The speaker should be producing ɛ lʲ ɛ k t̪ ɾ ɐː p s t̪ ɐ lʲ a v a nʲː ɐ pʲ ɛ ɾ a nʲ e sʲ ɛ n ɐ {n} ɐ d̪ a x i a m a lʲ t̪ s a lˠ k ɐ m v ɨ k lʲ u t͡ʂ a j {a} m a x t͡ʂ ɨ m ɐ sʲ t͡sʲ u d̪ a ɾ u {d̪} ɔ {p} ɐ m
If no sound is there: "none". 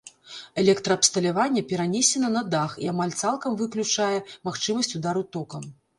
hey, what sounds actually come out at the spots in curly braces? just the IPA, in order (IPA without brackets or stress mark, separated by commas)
n, ɛ, t̪, k